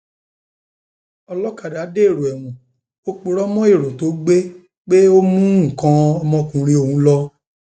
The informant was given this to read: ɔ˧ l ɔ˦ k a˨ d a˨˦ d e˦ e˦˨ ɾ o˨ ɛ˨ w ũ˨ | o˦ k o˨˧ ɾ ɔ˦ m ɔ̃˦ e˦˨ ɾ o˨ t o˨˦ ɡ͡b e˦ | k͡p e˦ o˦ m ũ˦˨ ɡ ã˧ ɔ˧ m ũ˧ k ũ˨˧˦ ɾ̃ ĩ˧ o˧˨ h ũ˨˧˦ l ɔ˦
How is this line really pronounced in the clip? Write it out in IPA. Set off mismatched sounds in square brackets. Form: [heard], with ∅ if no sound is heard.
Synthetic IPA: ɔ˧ l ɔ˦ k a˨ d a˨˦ d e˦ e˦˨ ɾ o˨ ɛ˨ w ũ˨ | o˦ [k͡p] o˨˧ ɾ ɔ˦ m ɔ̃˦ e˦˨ ɾ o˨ t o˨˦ ɡ͡b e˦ | k͡p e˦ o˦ m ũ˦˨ [k] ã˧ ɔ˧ m [ɔ̃˧] k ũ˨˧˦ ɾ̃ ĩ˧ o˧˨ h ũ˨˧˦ l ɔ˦